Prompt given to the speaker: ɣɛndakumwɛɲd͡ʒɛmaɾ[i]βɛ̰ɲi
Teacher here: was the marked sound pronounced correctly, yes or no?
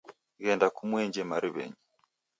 yes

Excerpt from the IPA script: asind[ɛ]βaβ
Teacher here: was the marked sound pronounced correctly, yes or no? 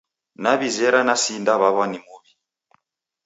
no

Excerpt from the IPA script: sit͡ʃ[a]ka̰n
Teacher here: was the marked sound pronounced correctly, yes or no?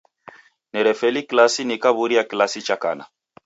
yes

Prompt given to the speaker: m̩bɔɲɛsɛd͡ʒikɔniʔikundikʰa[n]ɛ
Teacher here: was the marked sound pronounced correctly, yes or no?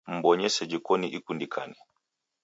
yes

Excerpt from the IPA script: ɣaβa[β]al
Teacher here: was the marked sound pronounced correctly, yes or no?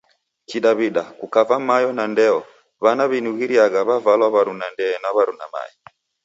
no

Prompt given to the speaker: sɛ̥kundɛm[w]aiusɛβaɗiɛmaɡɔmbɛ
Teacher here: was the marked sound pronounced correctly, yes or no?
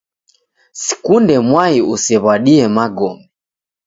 yes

